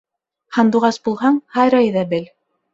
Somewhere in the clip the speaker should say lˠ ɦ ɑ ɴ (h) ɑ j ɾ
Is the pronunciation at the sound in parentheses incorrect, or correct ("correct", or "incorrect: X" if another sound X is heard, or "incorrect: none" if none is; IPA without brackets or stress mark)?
correct